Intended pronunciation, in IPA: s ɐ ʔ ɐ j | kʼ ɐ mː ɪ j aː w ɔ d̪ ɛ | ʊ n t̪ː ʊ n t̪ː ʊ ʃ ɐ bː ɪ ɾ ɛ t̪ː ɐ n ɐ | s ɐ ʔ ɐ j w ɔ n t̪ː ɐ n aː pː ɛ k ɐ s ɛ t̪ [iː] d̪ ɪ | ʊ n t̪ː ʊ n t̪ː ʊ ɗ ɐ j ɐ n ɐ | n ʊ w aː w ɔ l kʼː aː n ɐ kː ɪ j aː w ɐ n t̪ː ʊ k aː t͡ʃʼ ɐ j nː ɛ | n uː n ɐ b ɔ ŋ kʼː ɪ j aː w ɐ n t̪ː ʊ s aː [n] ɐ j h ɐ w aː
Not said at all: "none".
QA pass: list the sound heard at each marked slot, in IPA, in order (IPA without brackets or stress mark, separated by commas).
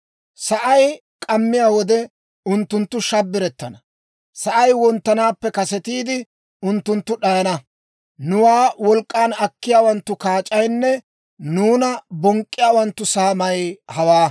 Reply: iː, m